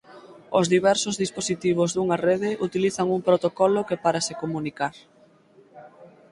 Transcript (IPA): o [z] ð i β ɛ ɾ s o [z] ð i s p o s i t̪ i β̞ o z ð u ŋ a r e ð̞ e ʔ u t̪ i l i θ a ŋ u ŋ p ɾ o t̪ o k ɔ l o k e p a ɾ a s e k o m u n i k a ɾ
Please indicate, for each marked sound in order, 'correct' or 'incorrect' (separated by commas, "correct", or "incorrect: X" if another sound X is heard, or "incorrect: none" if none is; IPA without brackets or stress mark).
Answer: correct, correct